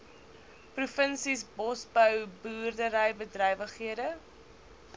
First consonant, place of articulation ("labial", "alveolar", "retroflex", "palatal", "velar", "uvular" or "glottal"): labial